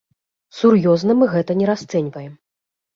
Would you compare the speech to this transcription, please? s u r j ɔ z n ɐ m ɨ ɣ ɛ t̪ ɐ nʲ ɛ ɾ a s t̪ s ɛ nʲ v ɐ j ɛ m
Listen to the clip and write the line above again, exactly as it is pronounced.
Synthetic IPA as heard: s u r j ɔ z n ɐ m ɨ ɣ ɛ t̪ ɐ nʲ ɛ ɾ a s t̪ s ɛ nʲ v ɐ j ɛ m